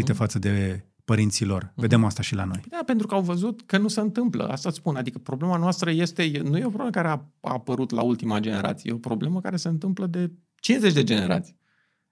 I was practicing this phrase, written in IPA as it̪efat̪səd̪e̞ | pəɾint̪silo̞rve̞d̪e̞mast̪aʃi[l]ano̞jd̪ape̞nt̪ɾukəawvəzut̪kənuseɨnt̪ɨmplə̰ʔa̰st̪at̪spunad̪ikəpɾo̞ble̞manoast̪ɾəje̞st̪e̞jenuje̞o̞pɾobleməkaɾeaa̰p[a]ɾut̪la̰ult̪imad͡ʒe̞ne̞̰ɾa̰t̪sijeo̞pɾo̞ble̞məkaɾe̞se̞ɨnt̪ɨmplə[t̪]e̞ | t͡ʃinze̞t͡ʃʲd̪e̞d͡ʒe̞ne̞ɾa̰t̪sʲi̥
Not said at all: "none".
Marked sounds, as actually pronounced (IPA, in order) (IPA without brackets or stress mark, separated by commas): l, ə, d̪